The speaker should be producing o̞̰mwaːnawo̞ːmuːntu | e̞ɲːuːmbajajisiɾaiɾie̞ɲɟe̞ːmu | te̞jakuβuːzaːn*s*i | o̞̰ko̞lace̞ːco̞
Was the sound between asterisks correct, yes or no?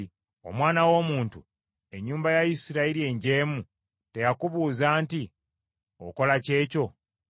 no